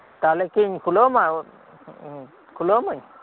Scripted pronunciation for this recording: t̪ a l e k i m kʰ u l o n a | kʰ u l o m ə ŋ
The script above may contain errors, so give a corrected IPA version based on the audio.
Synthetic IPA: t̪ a l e k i ɲ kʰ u l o m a | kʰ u l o m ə ɲ